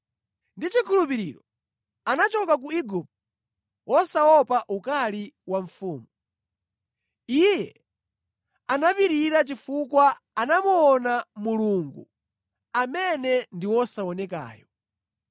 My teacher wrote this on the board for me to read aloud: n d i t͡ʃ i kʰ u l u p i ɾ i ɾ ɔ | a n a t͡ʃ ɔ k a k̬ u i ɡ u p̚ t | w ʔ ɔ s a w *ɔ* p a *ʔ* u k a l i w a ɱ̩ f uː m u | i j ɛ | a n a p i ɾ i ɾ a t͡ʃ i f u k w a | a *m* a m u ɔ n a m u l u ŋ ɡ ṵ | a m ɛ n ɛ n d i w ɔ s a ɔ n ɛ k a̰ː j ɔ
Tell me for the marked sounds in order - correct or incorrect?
correct, correct, incorrect: n

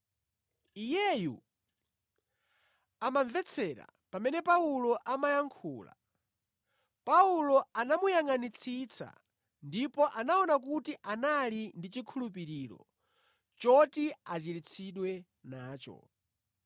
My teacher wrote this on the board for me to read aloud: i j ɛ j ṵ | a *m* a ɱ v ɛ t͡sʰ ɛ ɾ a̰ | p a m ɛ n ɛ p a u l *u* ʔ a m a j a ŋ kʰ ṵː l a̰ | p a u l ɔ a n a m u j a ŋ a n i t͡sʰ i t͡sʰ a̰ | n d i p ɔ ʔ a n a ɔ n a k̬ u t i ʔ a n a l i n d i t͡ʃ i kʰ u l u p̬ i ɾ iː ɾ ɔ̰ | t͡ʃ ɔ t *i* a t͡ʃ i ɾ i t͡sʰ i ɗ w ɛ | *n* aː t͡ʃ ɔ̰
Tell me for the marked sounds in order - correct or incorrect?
correct, incorrect: ɔ, correct, correct

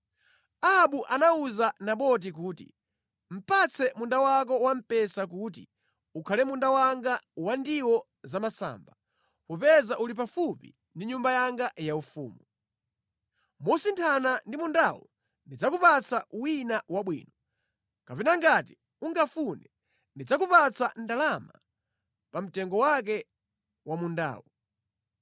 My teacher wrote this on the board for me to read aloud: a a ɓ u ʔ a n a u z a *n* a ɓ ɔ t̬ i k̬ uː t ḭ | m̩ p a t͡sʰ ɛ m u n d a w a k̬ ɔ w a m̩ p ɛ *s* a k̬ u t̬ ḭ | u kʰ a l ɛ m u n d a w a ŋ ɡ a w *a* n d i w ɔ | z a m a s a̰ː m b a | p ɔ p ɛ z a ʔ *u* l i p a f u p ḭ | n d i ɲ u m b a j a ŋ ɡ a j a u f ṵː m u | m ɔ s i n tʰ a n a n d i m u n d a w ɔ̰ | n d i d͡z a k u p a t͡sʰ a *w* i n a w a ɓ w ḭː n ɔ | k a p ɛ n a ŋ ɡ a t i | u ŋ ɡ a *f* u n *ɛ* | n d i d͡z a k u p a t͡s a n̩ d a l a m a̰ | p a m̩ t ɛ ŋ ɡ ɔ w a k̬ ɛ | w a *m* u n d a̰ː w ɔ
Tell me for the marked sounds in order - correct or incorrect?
correct, correct, correct, correct, correct, correct, correct, correct

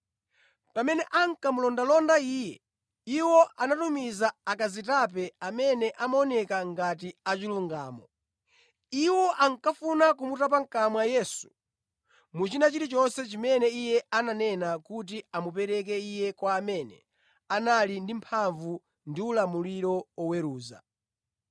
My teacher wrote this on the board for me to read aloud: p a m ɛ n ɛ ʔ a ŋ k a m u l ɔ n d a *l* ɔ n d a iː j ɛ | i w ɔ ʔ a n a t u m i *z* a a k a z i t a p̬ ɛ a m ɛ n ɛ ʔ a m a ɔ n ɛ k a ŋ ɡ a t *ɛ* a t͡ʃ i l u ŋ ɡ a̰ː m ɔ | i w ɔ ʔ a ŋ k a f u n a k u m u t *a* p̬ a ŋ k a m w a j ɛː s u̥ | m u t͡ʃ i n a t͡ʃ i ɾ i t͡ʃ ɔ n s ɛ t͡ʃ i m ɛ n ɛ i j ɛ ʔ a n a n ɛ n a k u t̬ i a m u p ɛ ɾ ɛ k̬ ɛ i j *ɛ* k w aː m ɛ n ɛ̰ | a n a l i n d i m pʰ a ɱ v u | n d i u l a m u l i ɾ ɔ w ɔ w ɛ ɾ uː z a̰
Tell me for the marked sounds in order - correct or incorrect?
correct, correct, incorrect: i, correct, correct

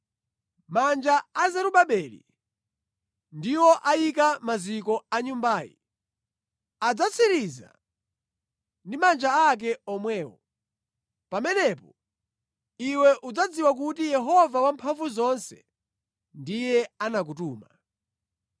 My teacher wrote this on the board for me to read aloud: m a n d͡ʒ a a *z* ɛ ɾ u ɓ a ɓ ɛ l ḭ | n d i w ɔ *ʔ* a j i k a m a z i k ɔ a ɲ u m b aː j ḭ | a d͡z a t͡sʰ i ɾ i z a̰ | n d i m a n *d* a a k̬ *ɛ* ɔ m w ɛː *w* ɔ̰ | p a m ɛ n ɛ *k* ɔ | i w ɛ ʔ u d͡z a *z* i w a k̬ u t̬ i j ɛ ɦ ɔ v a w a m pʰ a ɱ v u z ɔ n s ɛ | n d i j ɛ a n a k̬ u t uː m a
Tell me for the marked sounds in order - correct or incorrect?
correct, correct, incorrect: d͡ʒ, correct, correct, incorrect: p, incorrect: d͡z

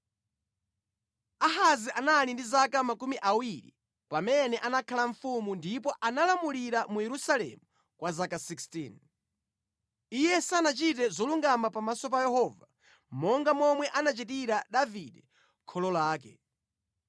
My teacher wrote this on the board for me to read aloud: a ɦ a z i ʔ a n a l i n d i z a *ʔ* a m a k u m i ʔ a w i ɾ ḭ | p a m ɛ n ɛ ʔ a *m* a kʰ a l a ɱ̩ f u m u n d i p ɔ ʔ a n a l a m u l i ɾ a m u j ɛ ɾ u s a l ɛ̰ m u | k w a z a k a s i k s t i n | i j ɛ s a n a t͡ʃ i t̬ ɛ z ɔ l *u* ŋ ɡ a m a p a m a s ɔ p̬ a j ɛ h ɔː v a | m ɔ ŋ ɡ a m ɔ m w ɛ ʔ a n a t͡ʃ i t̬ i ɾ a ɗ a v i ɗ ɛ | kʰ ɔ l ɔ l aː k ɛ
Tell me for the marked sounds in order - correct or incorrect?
incorrect: k, incorrect: n, correct

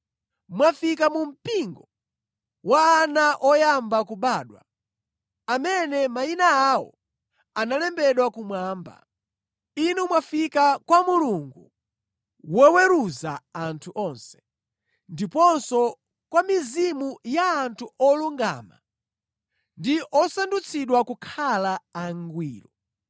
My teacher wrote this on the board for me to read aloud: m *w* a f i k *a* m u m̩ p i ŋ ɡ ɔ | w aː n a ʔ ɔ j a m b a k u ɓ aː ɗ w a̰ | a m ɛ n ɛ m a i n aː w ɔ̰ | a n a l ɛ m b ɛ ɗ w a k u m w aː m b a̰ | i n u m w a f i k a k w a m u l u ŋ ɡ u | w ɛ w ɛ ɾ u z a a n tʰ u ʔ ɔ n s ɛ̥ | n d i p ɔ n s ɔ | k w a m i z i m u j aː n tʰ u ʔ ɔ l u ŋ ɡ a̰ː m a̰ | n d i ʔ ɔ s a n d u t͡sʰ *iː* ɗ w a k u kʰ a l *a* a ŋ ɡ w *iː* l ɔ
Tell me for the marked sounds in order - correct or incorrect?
correct, correct, incorrect: i, correct, correct

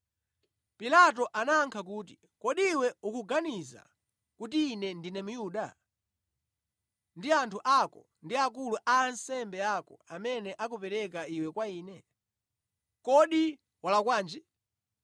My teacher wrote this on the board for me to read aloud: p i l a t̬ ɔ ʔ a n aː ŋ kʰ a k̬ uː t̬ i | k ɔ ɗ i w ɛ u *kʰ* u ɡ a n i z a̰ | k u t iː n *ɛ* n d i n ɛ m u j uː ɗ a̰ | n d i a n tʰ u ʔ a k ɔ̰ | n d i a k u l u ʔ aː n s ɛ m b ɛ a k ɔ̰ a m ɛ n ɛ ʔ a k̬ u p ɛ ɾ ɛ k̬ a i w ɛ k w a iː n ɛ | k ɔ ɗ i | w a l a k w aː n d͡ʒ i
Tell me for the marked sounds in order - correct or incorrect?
incorrect: k, correct

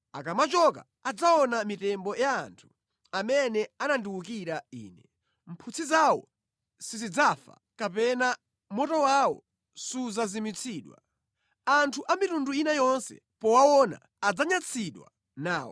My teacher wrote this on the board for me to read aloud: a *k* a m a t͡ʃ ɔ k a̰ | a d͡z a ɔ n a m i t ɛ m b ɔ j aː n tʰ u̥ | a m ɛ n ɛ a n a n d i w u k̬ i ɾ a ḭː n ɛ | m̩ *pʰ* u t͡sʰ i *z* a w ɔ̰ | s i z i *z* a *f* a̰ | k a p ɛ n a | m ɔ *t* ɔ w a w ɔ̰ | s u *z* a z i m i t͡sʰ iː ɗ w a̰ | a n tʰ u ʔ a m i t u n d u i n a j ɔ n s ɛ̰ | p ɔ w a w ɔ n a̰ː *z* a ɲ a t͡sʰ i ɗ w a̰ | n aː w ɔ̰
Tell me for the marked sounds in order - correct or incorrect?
correct, correct, correct, incorrect: d͡z, correct, correct, correct, incorrect: d͡z

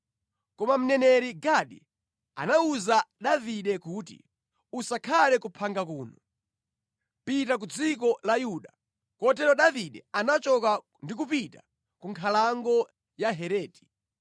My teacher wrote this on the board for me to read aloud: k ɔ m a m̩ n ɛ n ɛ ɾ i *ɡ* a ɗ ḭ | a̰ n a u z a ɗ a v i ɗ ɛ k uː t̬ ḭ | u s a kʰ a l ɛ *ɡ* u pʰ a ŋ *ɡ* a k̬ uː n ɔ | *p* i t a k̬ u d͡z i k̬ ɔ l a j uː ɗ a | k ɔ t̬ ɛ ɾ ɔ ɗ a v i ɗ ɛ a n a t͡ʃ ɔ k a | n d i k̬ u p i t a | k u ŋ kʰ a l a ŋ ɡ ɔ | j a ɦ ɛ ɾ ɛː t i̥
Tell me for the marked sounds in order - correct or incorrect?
correct, incorrect: k, correct, correct

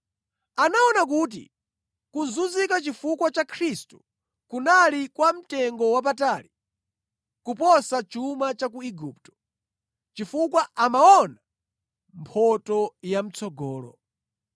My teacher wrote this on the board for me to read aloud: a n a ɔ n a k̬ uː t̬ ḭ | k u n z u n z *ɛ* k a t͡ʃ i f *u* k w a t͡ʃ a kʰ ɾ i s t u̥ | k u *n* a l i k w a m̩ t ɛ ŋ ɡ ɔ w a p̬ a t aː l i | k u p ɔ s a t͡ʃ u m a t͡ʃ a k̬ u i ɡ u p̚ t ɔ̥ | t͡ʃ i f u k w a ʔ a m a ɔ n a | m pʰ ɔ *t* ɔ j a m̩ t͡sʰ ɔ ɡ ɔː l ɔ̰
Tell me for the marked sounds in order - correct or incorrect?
incorrect: i, correct, correct, correct

